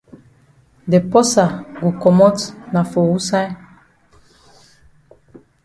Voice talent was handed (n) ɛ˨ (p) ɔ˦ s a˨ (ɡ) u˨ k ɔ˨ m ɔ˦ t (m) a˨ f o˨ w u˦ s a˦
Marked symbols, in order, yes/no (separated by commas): no, yes, yes, no